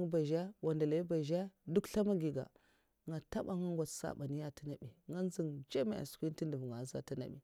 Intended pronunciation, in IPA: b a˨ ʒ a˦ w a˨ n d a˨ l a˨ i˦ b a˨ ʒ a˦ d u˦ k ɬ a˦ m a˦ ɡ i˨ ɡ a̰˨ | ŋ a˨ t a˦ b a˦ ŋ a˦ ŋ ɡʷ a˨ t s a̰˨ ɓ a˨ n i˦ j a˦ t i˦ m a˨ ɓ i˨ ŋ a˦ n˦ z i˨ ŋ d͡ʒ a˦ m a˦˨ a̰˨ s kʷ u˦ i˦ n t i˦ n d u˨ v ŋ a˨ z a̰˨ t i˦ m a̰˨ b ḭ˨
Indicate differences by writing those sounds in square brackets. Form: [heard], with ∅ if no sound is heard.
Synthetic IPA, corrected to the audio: b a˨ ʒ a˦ w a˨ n d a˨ l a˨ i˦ b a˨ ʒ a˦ d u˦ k ɬ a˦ m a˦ ɡ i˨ ɡ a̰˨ | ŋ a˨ t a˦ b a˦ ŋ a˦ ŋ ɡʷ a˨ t s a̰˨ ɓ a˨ n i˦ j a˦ t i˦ [n] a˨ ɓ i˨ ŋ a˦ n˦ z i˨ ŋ d͡ʒ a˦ m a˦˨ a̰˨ s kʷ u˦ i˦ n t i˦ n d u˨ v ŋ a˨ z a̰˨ t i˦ [n] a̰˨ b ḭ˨